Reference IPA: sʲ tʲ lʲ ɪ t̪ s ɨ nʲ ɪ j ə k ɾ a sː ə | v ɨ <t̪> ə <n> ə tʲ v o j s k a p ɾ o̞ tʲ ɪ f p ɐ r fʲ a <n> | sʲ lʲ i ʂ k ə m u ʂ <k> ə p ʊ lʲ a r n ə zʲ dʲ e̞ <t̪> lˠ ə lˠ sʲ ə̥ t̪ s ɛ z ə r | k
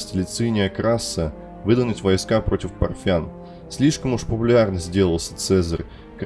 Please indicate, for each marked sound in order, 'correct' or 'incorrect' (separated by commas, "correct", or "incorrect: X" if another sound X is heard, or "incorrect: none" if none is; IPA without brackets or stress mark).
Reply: incorrect: d̪, correct, correct, incorrect: p, incorrect: none